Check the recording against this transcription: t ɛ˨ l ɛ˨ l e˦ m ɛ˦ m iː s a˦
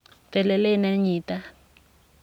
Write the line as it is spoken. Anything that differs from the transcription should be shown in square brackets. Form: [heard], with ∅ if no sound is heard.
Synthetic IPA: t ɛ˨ l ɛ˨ l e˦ [n] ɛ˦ [ɲ] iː [t] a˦